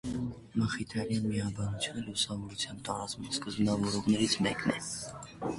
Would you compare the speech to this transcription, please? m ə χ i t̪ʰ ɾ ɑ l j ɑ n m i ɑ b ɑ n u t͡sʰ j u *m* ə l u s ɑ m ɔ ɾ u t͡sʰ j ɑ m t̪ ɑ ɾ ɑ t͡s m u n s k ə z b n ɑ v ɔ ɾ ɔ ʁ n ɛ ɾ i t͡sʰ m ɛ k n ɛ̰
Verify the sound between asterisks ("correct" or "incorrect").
incorrect